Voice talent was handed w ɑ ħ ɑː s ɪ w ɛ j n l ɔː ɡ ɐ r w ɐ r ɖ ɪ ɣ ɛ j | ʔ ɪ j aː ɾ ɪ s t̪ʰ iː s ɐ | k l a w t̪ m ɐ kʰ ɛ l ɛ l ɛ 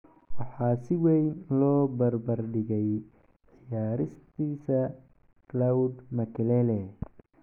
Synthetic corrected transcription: w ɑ ħ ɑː s ɪ w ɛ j n l ɔː b ɐ r b ɐ r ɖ ɪ ɣ ɛ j | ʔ ɪ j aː ɾ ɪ s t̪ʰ iː s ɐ | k l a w d̪ m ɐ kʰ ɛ l ɛ l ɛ